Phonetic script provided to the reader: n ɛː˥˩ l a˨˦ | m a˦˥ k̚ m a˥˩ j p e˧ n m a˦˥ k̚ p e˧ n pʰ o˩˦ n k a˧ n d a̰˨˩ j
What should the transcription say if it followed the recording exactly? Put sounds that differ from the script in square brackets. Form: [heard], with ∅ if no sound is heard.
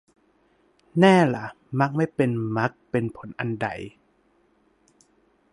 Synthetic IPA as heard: n ɛː˥˩ l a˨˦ | m a˦˥ k̚ m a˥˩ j p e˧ n m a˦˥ k̚ p e˧ n pʰ o˩˦ n [ʔ] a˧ n d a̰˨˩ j